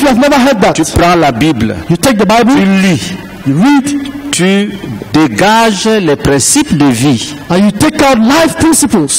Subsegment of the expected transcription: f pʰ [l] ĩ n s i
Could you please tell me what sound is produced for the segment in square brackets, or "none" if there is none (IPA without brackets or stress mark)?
ɹ